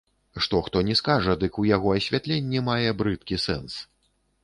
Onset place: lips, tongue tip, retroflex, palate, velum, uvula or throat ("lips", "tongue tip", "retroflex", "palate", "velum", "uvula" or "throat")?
retroflex